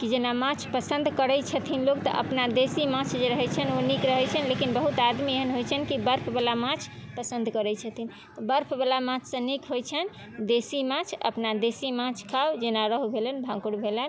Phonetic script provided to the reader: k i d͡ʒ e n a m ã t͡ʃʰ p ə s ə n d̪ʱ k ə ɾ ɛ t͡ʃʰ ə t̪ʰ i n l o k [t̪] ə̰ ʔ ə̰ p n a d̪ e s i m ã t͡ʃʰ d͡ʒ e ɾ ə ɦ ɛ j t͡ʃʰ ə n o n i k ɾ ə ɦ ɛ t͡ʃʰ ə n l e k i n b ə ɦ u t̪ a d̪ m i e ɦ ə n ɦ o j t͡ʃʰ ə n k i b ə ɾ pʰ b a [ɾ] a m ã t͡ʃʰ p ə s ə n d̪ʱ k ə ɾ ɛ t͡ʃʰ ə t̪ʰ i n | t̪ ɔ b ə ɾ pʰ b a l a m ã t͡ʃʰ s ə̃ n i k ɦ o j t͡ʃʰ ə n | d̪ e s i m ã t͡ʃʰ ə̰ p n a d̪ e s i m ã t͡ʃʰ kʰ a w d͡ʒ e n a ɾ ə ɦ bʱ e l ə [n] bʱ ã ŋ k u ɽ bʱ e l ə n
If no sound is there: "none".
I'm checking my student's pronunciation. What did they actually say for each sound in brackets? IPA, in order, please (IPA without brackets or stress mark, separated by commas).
t̪, l, n